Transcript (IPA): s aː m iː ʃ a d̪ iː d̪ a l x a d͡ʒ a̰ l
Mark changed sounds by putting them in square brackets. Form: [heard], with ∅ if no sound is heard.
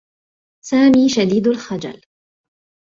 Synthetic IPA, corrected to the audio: s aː m iː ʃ a d̪ iː d̪ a l x a d͡ʒ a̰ l

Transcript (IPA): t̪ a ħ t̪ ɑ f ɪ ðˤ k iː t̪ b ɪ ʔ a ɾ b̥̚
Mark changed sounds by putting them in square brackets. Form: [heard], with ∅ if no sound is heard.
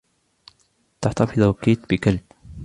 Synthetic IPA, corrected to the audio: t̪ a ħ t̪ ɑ f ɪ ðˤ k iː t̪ b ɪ [k] a [l] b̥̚

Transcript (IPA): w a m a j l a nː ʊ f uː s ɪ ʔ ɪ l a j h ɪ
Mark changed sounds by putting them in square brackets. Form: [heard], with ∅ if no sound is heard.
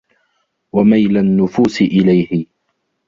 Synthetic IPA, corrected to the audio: w a m a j l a nː ʊ f uː s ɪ ʔ ɪ l a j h ɪ

